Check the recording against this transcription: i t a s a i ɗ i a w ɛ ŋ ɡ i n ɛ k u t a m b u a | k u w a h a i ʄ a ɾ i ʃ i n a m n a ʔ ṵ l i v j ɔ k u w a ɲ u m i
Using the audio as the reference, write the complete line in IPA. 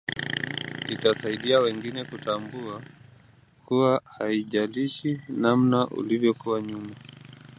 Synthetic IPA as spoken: i t a s a i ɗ i a w ɛ ŋ ɡ i n ɛ k u t a m b u a | k u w a h a i ʄ a l i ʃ i n a m n a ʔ ṵ l i v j ɔ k u w a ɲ u m a